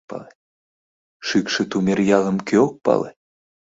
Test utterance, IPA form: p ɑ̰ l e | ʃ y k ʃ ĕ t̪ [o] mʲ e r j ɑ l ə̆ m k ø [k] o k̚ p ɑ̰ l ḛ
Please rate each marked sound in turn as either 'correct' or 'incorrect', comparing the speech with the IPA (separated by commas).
incorrect, incorrect